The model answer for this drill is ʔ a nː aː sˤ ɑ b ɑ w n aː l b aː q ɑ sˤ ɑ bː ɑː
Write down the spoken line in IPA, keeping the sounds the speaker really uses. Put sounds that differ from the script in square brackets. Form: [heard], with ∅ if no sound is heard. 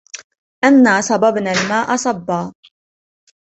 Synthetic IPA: ʔ a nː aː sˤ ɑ b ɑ [b] n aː l [m] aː [ʔ] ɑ sˤ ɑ bː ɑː

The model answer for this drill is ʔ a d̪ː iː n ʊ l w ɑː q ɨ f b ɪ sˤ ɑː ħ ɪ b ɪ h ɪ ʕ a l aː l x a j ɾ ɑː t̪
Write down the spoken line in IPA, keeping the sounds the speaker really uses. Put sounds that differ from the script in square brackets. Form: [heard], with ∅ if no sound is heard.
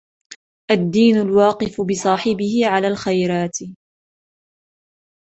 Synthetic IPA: ʔ a d̪ː iː n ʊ l w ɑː q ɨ f b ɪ sˤ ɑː ħ ɪ b ɪ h ɪ ʕ a l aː l x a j ɾ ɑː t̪

